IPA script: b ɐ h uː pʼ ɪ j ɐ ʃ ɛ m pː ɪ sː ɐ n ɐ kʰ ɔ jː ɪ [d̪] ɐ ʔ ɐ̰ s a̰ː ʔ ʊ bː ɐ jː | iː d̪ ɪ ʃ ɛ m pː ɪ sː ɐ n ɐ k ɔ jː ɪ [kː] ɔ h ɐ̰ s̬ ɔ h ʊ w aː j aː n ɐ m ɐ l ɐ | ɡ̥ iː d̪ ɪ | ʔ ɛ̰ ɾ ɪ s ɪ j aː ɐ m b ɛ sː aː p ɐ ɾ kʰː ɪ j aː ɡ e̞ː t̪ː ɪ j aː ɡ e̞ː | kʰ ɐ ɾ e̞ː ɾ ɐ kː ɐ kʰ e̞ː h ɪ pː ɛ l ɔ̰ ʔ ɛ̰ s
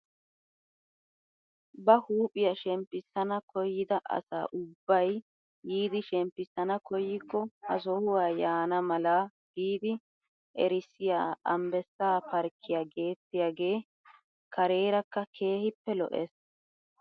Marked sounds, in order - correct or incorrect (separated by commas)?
correct, correct